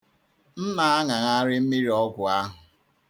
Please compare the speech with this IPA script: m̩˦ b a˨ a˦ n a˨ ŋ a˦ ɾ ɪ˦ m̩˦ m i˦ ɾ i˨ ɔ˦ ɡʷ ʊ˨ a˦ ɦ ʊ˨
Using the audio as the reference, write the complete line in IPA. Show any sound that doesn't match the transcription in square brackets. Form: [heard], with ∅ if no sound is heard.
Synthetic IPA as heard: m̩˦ [m] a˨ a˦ [ŋ] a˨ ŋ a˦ ɾ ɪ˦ m̩˦ m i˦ ɾ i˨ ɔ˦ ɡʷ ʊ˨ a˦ ɦ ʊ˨